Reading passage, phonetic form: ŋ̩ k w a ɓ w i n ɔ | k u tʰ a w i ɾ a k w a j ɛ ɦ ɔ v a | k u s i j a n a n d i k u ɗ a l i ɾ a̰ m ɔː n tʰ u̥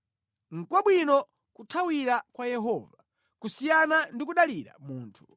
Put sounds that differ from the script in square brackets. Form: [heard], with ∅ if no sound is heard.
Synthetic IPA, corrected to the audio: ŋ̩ k w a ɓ w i n ɔ | k u tʰ a w i ɾ a k w a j ɛ ɦ ɔ v a | k u s i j a n a n d i k u ɗ a l i ɾ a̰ m [uː] n tʰ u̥

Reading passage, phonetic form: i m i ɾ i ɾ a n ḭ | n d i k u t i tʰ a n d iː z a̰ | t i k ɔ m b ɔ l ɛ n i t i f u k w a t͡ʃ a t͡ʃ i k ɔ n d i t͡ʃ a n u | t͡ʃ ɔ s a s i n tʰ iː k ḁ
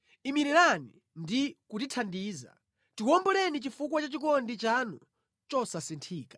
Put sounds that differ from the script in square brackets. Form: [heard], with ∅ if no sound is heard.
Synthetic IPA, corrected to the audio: i m i ɾ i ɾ a n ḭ | n d i k u t i tʰ a n d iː z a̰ | t i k ɔ m b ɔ l ɛ n i [t͡ʃ] i f u k w a t͡ʃ a t͡ʃ i k ɔ n d i t͡ʃ a n u | t͡ʃ ɔ s a s i n tʰ iː k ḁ

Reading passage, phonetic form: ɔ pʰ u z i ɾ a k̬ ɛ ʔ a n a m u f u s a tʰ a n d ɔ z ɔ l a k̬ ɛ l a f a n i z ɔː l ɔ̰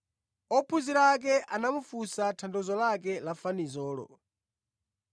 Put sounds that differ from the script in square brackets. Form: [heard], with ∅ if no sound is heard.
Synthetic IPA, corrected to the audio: ɔ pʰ u z i ɾ a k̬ ɛ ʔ a n a m u f u s a tʰ a n d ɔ z ɔ l a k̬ ɛ l a f a n i z ɔː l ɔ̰

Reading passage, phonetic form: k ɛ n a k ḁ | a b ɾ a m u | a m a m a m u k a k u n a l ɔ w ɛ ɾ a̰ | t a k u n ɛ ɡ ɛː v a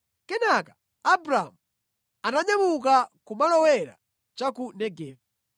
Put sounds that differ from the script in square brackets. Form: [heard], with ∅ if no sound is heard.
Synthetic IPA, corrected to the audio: k ɛ n a k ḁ | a b ɾ a m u | a [n] a [ɲ] a m u k a k u [m] a l ɔ w ɛ ɾ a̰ | [t͡ʃ] a k u n ɛ ɡ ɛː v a

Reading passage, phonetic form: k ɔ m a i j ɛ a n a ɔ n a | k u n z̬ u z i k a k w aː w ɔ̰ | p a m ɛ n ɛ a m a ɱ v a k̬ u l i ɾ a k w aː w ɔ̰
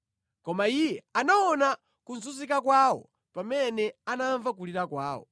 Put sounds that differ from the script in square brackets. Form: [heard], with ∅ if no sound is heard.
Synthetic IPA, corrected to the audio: k ɔ m a i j ɛ a n a ɔ n a | k u n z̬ u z i k a k w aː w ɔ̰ | p a m ɛ n ɛ a [n] a ɱ v a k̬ u l i ɾ a k w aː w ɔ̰

